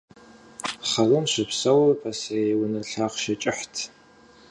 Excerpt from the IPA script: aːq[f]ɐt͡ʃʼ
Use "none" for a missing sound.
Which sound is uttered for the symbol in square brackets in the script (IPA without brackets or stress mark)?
ʃ